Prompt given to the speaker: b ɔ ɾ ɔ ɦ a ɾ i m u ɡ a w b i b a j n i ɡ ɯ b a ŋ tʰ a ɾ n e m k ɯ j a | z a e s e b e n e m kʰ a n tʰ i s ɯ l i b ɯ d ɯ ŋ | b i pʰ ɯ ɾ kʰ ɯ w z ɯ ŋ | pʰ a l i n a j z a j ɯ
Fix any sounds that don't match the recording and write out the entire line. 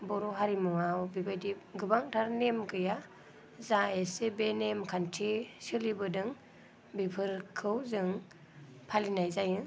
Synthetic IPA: b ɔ ɾ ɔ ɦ a ɾ i m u ŋ a w b i b a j d i ɡ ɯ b a ŋ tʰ a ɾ n e m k ɯ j a | z a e s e b e n e m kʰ a n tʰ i s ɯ l i b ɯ d ɯ ŋ | b i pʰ ɯ ɾ kʰ ɯ w z ɯ ŋ | pʰ a l i n a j z a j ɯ